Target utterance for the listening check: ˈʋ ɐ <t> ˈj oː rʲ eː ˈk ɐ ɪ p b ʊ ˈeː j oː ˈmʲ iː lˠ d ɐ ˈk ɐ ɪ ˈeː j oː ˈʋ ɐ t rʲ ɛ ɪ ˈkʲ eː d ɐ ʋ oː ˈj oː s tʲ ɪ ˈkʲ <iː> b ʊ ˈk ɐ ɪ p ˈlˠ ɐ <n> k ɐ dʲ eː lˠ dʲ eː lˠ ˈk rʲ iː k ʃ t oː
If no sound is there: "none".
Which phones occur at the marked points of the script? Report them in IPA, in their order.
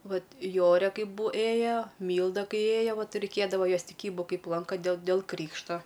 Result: t, iː, ŋ

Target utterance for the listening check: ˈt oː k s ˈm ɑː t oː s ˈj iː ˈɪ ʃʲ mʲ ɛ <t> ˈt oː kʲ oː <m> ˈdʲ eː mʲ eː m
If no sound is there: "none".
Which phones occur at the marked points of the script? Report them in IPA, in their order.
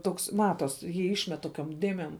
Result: t, m

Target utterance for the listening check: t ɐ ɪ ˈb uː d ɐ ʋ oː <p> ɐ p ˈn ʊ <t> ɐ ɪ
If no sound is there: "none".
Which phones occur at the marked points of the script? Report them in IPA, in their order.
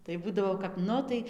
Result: k, t

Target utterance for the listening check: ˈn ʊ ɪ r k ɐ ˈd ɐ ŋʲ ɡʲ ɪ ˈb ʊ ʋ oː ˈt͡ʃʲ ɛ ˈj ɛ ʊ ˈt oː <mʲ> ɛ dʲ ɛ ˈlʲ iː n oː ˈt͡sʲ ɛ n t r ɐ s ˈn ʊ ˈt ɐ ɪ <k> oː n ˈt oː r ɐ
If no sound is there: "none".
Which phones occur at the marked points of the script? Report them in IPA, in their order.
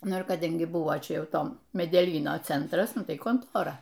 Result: mʲ, k

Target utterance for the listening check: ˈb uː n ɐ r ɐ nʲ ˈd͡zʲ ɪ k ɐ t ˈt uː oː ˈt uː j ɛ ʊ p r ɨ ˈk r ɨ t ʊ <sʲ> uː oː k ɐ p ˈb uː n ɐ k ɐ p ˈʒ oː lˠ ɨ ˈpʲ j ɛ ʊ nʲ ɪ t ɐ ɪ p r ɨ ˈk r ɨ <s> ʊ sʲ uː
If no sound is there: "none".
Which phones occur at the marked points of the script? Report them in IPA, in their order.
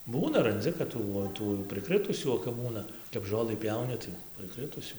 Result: sʲ, t

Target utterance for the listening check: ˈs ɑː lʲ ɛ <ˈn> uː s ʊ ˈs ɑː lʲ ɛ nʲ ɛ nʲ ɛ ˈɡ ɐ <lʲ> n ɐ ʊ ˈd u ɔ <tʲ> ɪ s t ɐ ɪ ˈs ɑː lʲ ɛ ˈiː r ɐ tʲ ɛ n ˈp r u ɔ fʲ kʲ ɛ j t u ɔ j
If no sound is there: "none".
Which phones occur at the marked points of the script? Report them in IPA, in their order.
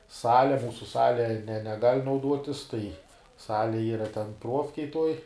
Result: m, lʲ, tʲ

